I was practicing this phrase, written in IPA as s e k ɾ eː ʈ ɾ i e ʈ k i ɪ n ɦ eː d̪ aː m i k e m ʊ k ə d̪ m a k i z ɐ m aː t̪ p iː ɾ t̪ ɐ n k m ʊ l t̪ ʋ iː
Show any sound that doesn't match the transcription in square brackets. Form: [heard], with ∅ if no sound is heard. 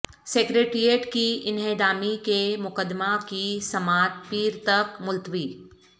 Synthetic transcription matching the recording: s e k ɾ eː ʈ ɾ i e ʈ k i ɪ n ɦ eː d̪ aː m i k e m ʊ k ə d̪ m a k i [s] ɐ m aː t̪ p iː ɾ t̪ ɐ [∅] k m ʊ l t̪ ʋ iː